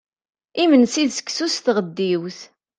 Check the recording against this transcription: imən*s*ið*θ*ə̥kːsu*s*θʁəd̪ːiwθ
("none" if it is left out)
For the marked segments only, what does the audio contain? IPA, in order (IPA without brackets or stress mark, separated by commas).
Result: s, s, s